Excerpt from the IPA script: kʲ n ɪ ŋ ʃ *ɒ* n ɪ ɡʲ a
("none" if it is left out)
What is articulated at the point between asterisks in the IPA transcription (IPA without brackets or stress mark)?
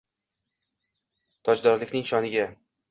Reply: ɒ